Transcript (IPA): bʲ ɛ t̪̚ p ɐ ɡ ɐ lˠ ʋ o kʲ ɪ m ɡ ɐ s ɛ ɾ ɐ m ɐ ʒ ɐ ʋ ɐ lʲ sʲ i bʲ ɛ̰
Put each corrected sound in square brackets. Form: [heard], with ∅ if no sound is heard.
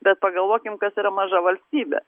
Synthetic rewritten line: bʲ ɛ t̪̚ p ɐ ɡ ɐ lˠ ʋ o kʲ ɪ m [k] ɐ s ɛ ɾ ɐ m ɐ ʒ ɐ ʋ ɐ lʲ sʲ i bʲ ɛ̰